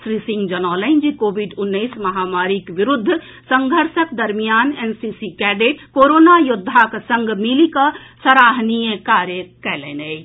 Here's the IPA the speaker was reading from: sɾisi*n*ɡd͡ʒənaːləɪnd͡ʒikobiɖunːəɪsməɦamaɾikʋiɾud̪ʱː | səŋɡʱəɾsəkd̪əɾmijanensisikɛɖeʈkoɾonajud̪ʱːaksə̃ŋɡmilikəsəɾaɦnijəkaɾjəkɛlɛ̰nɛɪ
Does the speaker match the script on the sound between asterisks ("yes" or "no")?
no